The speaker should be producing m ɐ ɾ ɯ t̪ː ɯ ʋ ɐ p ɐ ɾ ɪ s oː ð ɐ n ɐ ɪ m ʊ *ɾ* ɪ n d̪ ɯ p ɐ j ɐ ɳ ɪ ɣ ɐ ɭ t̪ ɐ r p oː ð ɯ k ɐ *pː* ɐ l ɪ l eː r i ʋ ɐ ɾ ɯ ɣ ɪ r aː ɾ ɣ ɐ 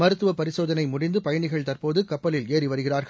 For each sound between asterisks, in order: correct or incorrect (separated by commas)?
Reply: incorrect, correct